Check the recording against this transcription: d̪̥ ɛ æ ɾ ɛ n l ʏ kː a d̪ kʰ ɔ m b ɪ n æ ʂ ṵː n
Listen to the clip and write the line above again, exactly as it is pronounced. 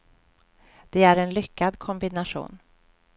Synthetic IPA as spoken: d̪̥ ɛ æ ɾ ɛ n l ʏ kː a d̪ kʰ ɔ m b ɪ n a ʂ ṵː n